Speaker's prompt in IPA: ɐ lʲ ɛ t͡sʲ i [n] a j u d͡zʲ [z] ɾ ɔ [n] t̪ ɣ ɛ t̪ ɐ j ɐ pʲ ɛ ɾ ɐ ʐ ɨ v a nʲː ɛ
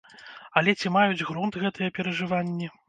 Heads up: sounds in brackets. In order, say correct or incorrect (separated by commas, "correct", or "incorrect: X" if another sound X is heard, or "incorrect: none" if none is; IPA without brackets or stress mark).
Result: incorrect: m, incorrect: ɣ, correct